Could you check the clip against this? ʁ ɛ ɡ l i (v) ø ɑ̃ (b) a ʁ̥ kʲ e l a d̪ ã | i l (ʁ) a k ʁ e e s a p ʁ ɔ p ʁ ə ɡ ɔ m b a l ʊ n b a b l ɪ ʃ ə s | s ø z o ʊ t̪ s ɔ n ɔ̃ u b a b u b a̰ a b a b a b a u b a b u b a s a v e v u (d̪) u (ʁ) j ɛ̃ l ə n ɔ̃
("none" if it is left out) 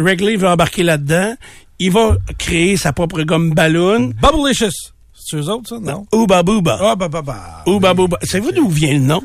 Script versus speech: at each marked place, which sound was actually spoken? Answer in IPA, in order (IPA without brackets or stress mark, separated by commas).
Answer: v, b, v, d̪, v